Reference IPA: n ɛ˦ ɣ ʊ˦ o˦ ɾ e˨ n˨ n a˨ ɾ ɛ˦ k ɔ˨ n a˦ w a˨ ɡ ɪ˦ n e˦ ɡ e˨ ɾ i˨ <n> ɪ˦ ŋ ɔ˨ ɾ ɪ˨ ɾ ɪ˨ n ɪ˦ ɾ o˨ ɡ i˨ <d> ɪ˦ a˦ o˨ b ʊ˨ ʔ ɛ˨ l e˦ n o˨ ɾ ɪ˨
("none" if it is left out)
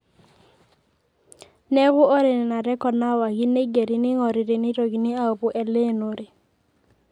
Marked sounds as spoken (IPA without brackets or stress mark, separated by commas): n, n